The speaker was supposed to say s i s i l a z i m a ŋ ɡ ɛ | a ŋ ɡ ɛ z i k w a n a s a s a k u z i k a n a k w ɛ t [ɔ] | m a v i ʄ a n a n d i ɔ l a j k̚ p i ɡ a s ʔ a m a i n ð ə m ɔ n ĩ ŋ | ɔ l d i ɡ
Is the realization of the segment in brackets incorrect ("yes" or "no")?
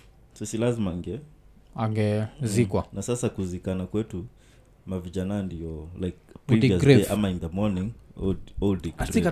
yes